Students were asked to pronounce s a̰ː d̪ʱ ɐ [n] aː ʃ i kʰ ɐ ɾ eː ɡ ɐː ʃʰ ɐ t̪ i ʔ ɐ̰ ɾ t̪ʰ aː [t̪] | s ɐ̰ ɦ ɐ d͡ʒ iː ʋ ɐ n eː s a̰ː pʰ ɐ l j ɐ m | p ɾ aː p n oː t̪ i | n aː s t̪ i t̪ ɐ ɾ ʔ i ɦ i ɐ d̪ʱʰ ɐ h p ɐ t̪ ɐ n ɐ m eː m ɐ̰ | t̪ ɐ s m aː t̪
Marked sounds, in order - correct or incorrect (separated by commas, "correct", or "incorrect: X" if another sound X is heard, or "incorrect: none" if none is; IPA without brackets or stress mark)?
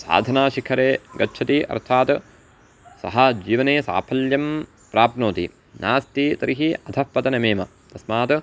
correct, correct